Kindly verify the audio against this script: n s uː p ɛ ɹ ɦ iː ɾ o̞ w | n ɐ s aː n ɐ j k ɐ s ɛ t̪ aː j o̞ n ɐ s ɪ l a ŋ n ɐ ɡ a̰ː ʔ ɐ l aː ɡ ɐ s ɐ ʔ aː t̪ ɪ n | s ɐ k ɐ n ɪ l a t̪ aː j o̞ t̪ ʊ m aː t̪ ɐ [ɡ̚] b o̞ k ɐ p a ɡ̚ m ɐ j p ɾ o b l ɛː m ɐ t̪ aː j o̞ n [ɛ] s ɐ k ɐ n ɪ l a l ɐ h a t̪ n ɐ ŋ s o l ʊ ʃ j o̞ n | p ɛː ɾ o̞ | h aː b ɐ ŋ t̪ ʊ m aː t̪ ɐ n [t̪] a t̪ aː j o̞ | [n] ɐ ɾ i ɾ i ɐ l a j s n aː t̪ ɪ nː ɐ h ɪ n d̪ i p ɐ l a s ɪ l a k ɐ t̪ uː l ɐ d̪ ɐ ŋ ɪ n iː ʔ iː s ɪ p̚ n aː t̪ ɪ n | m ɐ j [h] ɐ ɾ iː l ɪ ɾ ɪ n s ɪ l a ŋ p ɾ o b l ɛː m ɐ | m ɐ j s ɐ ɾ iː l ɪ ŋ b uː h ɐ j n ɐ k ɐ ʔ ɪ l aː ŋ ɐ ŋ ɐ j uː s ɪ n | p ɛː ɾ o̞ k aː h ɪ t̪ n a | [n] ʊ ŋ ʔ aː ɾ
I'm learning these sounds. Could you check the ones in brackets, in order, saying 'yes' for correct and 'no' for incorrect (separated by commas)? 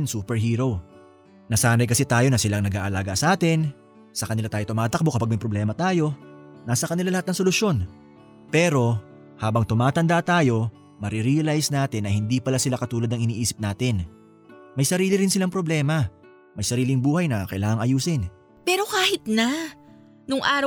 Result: no, no, no, no, no, yes